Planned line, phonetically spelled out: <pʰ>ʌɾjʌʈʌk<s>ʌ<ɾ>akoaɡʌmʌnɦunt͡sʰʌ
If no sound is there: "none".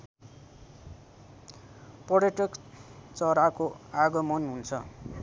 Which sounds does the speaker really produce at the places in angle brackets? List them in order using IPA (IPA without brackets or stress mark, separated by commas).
p, t͡s, ɾ